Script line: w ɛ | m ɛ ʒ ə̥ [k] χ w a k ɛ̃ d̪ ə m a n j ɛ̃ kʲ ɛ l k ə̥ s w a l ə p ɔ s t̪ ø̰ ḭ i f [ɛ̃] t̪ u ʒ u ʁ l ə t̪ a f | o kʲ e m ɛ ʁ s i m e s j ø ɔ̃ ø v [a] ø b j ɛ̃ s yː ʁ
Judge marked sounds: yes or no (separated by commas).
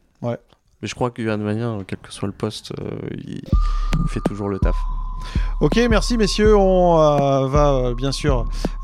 yes, no, yes